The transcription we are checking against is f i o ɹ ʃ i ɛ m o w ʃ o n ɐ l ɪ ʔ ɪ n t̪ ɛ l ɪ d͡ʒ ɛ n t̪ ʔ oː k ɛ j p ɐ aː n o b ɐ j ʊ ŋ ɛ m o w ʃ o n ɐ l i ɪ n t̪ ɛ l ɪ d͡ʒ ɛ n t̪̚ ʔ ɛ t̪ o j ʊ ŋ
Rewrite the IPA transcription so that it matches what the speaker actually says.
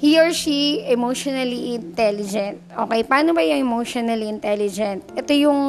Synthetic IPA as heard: h i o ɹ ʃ i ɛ m o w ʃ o n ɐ l i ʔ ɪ n t̪ ɛ l ɪ d͡ʒ ɛ n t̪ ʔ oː k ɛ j p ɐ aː n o b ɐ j ʊ ŋ ɛ m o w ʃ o n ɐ l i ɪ n t̪ ɛ l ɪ d͡ʒ ɛ n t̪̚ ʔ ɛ t̪ o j ʊ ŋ